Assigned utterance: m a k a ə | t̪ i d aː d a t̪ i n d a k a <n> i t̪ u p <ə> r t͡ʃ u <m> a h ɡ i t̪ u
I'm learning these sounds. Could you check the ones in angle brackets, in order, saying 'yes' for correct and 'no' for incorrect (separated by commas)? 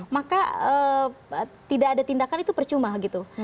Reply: yes, yes, yes